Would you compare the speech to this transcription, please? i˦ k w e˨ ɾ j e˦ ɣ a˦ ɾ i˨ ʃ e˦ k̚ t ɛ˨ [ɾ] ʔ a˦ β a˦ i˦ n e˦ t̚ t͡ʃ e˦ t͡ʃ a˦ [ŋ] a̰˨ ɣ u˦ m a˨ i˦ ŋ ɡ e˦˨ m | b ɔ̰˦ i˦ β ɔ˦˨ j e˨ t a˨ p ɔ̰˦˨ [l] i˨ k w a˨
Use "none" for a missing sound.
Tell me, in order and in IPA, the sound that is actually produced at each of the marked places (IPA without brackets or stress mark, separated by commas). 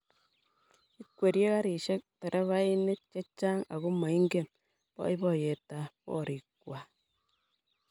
ɾ, ŋ, ɾ